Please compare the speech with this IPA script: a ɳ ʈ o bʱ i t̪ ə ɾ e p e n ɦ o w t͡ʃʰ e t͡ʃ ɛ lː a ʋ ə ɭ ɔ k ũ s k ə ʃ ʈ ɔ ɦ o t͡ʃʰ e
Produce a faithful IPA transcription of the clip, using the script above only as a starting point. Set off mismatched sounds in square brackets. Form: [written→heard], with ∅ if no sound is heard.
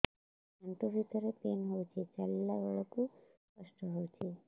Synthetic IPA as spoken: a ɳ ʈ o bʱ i t̪ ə ɾ e p e n ɦ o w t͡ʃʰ e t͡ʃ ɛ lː a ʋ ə ɭ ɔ k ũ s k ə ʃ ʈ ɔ ɦ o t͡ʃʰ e